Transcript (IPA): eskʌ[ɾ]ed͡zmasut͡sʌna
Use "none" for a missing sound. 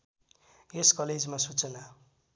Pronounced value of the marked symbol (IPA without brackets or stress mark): l